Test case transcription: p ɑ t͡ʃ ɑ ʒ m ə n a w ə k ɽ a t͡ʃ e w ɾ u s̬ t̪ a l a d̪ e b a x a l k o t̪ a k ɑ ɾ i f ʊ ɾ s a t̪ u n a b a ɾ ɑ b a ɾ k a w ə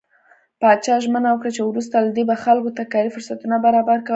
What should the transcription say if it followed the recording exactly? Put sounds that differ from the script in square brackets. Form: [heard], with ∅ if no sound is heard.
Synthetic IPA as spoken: p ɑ t͡ʃ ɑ ʒ m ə n a w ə k ɽ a t͡ʃ e w ɾ u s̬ t̪ a l a d̪ e b a x a l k o t̪ a k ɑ ɾ i f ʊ ɾ s a t̪ u n a b a ɾ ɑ b a ɾ k a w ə